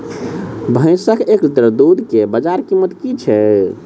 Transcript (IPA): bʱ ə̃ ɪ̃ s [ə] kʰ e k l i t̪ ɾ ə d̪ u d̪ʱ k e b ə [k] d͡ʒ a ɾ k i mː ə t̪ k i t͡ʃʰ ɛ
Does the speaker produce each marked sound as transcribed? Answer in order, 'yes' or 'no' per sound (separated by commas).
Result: yes, no